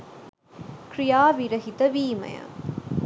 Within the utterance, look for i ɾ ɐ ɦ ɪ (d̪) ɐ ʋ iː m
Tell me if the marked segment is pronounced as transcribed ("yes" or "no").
no